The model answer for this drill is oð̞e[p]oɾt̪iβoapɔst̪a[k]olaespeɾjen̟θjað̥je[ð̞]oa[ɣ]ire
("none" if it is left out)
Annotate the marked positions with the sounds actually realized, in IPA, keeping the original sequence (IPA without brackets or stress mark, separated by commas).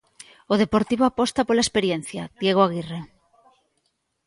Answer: p, p, ɣ̞, ɣ